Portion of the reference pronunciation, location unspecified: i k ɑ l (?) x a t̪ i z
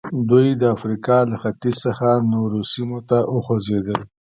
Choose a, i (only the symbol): a